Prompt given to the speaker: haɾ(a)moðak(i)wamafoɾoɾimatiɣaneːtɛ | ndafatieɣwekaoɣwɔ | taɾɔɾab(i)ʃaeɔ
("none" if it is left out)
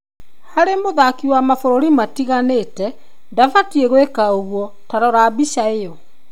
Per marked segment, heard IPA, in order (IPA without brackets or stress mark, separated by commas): e, i, i